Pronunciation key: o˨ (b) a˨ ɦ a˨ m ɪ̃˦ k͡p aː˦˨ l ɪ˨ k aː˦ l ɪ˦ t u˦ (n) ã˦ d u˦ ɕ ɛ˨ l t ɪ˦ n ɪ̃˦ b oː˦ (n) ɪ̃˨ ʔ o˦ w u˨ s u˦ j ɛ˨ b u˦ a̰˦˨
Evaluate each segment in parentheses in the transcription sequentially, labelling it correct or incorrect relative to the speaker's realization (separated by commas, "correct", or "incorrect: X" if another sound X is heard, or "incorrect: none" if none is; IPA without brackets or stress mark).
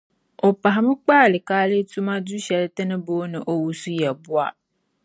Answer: incorrect: p, incorrect: m, correct